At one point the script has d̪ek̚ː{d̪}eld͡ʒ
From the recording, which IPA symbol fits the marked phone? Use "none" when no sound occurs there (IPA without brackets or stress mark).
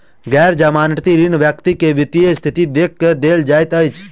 d̪